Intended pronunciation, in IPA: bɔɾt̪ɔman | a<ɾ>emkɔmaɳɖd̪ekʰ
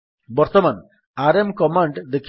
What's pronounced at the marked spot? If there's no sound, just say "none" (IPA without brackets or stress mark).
ɾ